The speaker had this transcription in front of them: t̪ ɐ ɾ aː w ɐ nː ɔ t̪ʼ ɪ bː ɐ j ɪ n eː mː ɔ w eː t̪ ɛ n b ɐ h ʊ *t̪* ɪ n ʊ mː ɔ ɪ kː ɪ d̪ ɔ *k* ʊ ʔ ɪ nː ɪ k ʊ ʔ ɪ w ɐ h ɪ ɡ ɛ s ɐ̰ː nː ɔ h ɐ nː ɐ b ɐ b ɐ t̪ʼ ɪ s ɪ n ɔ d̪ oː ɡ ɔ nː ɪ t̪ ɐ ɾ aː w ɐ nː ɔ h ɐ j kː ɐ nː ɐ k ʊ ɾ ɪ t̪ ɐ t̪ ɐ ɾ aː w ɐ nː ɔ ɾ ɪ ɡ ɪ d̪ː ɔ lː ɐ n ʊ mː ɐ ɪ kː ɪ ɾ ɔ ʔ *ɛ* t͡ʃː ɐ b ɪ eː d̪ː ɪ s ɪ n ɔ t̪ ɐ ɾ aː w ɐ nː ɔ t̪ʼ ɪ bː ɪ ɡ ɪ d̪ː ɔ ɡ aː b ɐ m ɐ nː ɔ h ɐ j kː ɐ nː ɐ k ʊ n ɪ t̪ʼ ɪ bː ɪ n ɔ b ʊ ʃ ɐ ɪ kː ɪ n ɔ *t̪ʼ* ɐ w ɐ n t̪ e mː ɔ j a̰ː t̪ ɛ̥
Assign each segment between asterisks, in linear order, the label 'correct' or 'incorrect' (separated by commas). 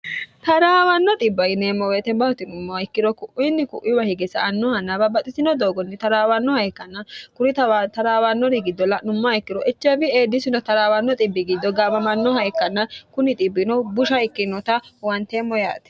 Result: correct, correct, correct, incorrect